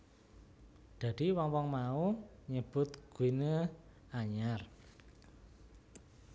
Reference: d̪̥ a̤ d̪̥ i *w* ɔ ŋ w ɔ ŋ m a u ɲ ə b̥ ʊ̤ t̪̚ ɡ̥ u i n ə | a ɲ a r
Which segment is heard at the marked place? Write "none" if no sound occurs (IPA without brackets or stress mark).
w